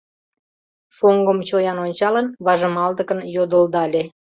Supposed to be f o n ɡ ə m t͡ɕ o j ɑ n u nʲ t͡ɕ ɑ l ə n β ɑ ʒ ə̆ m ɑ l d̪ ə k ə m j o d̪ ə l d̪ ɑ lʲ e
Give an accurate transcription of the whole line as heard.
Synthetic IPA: f o ŋ ɡ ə m t͡ɕ o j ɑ n o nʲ t͡ɕ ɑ l ə n β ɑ ʒ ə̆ m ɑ l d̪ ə k ə n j o d̪ ə l d̪ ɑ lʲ e